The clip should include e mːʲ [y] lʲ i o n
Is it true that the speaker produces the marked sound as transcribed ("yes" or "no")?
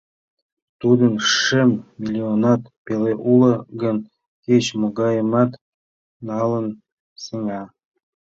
no